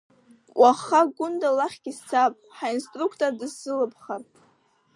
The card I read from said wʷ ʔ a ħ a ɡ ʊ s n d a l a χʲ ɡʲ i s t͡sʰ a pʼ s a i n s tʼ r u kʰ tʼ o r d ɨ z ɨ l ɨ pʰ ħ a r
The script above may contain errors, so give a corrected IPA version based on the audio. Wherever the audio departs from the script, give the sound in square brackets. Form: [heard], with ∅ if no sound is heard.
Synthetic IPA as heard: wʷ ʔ a [χ] a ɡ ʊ [∅] n d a l a χʲ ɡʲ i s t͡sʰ a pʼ [ħ] a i n s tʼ r u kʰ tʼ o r d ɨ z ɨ l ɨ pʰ [χ] a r